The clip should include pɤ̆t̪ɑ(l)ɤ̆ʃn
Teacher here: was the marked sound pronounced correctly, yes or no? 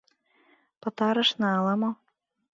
no